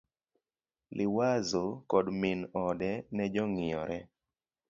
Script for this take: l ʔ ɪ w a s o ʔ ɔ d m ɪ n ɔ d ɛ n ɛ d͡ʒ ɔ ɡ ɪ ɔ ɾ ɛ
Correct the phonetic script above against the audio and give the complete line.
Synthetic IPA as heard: l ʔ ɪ w a z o k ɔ d m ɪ n ɔ d ɛ n ɛ d͡ʒ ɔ ŋ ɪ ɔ ɾ ɛ